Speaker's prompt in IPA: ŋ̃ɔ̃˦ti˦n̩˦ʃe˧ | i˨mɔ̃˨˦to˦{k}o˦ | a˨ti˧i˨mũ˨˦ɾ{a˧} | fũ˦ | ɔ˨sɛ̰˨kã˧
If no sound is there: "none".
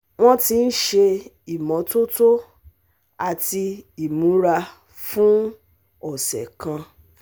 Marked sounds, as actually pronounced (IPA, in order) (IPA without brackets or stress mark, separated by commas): t, a˧